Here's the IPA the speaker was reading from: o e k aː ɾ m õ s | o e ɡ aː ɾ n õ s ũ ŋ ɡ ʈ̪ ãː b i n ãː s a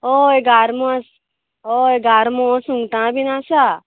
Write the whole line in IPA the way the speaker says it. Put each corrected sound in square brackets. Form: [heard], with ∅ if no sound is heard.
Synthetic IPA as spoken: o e [ɡ] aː ɾ m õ s | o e ɡ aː ɾ [m] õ s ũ ŋ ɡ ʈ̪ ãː b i n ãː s a